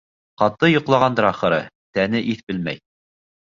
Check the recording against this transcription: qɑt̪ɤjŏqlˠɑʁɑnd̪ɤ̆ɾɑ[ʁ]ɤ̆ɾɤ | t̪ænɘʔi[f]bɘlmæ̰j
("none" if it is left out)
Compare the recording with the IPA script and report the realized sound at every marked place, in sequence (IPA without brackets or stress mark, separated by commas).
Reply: χ, θ